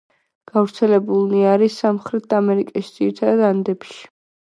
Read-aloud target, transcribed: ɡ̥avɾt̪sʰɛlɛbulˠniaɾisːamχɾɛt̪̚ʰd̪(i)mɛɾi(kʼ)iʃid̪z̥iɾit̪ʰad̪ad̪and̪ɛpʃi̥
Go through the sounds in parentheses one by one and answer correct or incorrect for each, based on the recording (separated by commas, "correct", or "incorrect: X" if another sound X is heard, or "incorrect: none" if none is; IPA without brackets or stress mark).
incorrect: a, correct